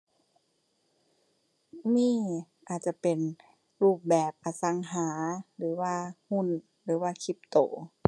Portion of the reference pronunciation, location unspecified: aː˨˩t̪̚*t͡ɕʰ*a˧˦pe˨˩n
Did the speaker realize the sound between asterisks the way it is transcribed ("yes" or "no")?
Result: no